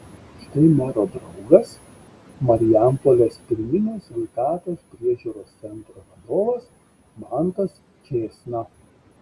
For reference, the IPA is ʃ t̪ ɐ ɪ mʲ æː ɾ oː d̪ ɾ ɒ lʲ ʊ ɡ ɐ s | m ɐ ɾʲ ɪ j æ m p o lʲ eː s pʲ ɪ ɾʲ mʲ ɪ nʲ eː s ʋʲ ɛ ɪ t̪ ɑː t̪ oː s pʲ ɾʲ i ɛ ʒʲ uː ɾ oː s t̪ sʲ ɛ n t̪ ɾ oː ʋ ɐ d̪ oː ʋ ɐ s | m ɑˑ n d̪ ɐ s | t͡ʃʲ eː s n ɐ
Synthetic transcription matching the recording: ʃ t̪ ɐ ɪ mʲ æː ɾ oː d̪ ɾ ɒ ʊ ɡ ɐ s | m ɐ ɾʲ ɪ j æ m p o lʲ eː s pʲ ɪ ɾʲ mʲ ɪ nʲ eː s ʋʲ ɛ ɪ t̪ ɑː t̪ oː s pʲ ɾʲ i ɛ ʒʲ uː ɾ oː s t̪ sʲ ɛ n t̪ ɾ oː ʋ ɐ d̪ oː ʋ ɐ s | m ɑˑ n t̪ ɐ s | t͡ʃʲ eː s n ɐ